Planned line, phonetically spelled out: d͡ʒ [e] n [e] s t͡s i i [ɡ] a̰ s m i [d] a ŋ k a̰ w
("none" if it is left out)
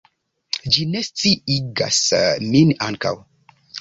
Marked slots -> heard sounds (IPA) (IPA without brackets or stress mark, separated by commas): i, e, ɡ, n